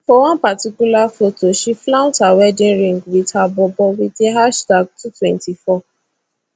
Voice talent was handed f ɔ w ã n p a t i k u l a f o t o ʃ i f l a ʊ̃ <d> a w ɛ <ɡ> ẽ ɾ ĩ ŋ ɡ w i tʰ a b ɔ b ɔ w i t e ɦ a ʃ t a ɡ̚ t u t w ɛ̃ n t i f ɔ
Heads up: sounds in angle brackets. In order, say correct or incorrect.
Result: incorrect: t, incorrect: d

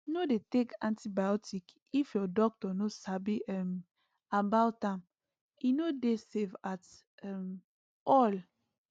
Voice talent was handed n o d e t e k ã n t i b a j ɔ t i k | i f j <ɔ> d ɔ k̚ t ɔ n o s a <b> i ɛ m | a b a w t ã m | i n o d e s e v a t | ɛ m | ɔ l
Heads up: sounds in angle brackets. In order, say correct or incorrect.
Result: correct, correct

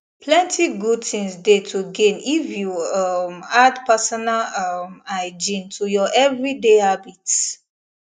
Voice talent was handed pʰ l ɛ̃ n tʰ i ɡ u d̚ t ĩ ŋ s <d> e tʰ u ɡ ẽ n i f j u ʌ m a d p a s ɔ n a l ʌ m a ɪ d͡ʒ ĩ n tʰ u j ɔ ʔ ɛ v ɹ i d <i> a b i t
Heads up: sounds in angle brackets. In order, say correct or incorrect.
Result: correct, incorrect: e

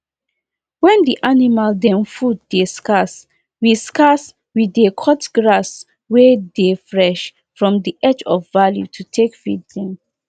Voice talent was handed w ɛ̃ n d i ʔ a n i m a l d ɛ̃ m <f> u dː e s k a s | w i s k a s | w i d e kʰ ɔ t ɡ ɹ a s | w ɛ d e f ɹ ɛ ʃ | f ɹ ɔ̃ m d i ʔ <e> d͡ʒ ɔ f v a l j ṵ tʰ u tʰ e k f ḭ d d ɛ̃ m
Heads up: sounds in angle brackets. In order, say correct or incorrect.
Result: correct, incorrect: ɛ

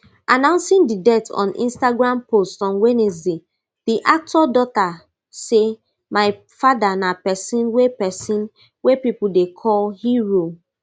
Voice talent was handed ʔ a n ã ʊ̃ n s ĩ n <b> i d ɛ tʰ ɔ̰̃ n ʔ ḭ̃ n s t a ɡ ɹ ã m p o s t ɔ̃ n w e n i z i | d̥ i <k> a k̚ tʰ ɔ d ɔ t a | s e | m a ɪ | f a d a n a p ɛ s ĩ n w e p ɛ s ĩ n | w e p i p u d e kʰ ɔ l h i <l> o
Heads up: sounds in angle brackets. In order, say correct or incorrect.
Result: incorrect: d, incorrect: ʔ, incorrect: ɹ

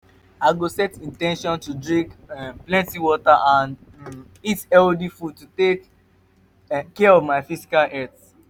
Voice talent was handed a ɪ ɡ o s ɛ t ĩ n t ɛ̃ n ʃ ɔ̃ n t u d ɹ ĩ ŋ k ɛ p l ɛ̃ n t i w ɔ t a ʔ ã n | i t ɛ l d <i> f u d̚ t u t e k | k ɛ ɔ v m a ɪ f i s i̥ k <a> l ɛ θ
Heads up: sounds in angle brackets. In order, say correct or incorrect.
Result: correct, correct

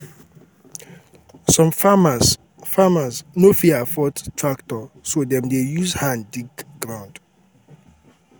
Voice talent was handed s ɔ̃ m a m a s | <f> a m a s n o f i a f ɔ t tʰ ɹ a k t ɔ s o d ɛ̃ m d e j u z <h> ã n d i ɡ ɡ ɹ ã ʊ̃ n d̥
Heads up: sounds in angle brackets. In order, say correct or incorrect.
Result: correct, correct

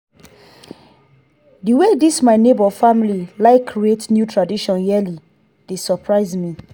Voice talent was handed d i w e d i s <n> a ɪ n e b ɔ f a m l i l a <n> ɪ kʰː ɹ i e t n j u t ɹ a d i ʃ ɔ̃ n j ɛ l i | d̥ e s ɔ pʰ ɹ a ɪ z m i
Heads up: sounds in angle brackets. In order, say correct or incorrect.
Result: incorrect: m, incorrect: none

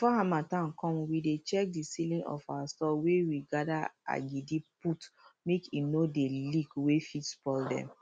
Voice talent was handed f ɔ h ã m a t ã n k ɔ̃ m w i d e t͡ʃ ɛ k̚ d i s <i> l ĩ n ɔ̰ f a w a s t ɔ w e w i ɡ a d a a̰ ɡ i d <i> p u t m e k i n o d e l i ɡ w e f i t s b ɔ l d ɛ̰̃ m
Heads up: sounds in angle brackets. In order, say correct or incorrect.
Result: correct, correct

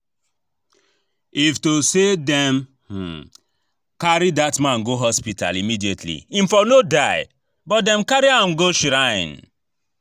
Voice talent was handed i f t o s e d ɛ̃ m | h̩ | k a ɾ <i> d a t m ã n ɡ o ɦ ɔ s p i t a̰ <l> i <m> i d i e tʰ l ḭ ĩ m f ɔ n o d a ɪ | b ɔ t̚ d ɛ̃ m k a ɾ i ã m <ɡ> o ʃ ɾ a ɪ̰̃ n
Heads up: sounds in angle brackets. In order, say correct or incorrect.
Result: correct, correct, correct, correct

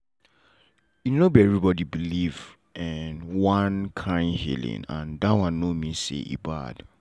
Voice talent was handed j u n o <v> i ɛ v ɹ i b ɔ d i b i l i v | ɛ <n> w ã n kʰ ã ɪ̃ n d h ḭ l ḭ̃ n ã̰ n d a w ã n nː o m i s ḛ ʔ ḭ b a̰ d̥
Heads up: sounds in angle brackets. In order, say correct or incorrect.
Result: incorrect: b, correct

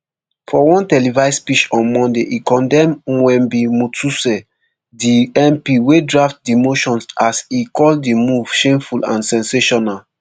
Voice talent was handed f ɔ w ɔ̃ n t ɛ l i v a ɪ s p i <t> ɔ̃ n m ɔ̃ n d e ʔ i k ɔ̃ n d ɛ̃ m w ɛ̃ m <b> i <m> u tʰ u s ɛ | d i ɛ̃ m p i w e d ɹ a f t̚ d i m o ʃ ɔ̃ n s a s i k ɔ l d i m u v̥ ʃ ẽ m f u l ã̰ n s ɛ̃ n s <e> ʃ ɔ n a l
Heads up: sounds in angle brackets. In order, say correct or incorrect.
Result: incorrect: t͡ʃ, correct, correct, correct

